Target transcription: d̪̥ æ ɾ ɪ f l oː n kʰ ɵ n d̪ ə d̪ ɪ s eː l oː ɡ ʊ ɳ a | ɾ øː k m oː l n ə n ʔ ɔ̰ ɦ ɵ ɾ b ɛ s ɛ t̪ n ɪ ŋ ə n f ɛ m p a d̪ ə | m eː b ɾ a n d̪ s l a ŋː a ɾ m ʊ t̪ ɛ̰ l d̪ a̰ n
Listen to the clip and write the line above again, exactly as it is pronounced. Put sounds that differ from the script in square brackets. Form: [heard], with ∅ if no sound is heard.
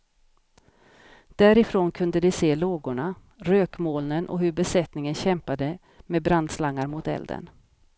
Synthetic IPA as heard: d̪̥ æ ɾ ɪ f [ɾ] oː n kʰ ɵ n d̪ ə d̪ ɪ s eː l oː ɡ ʊ ɳ a | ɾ øː k m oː l n ə n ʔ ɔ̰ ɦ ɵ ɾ b ɛ s ɛ t̪ n ɪ ŋ ə n [ɕ] ɛ m p a d̪ ə | m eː b ɾ a n d̪ s l a ŋː a ɾ m ʊ t̪ ɛ̰ l d̪ [ə̰] n